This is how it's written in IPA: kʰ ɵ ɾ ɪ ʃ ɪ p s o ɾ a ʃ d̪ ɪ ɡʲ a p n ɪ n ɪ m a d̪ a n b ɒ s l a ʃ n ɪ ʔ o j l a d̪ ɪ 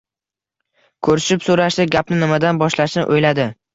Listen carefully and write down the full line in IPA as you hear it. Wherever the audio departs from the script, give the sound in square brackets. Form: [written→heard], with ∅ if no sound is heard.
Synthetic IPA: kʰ ɵ ɾ ɪ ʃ ɪ p s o ɾ a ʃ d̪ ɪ ɡʲ a p n ɪ n ɪ m a d̪ a n b ɒ [s→ʃ] l a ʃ n ɪ ʔ o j l a d̪ ɪ